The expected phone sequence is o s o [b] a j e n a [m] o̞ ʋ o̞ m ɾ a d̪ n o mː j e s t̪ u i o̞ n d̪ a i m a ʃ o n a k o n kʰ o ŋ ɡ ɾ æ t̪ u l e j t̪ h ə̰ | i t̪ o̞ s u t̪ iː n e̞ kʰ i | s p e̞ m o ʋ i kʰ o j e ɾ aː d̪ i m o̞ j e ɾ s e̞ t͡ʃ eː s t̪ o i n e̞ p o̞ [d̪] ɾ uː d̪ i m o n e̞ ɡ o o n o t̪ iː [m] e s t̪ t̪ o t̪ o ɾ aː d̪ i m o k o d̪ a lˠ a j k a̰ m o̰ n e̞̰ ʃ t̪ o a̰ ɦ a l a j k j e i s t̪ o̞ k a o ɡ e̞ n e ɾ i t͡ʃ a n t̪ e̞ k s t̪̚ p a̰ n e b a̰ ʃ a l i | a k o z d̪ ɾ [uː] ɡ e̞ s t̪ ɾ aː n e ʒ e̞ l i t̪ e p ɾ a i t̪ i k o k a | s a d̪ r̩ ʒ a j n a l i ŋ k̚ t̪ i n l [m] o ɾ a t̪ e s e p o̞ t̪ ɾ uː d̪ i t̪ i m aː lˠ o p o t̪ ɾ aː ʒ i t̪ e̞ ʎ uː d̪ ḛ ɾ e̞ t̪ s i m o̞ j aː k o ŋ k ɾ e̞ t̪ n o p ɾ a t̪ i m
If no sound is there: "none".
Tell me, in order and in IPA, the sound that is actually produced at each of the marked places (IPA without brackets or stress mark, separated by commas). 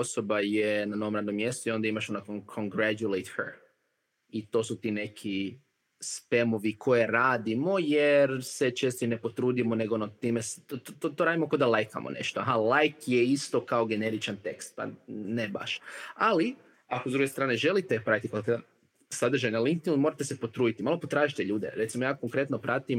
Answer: b, n, t̪, m, u, m